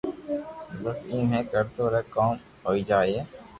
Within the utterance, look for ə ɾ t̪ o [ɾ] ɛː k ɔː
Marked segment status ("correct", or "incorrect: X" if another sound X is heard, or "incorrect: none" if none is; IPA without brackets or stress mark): correct